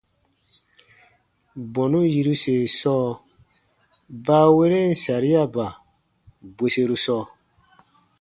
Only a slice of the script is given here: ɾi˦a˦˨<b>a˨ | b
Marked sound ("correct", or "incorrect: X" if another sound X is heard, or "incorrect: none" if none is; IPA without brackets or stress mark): correct